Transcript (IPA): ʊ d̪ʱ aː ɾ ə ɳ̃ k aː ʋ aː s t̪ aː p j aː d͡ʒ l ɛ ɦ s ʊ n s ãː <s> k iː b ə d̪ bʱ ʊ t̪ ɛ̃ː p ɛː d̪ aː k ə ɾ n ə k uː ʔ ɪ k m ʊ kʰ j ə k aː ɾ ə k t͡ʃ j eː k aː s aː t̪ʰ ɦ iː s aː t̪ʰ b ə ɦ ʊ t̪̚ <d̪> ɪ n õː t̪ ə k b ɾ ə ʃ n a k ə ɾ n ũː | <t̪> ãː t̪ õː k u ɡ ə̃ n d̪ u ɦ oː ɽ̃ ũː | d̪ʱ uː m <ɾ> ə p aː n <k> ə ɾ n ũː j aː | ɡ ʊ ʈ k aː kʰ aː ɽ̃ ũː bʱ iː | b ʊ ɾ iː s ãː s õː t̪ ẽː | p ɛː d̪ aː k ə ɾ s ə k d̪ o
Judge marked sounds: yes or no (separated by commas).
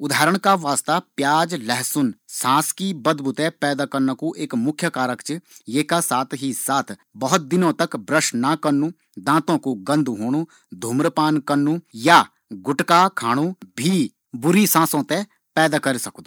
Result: yes, yes, no, yes, yes